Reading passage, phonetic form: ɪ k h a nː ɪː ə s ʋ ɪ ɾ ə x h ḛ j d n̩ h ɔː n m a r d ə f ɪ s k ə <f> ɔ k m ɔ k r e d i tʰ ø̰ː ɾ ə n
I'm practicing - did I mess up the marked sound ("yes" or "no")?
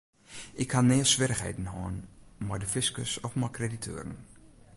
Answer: yes